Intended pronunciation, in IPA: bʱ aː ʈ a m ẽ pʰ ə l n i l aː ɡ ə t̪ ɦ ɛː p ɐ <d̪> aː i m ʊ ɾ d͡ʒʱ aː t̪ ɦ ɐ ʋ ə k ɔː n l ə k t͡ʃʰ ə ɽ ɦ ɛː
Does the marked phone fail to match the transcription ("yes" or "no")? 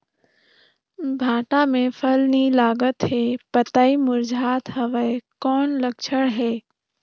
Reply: yes